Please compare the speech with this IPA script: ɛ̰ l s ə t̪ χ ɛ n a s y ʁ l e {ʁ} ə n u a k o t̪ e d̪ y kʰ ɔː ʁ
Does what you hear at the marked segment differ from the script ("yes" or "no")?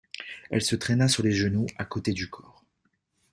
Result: yes